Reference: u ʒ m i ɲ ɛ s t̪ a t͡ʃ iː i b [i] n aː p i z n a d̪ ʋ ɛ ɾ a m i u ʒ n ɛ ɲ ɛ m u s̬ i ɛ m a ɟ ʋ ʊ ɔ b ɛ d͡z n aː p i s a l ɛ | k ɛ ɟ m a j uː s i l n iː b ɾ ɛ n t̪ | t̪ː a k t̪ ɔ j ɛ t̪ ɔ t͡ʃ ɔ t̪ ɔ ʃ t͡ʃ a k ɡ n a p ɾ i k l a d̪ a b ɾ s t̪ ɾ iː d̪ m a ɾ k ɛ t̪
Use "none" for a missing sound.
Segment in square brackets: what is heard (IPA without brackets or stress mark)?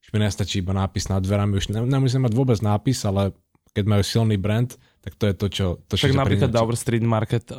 a